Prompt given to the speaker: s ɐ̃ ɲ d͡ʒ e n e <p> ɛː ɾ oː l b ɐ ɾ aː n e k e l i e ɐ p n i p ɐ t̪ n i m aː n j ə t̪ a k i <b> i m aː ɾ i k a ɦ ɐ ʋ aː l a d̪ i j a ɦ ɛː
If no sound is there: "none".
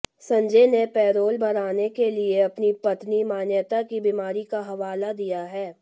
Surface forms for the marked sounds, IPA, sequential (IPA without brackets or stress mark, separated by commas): p, b